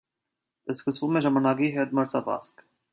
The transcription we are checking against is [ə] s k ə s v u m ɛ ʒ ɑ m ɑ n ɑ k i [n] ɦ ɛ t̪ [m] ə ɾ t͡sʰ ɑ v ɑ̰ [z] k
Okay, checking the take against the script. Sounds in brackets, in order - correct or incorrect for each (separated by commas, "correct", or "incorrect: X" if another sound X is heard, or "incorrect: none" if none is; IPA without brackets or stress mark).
correct, incorrect: none, correct, incorrect: s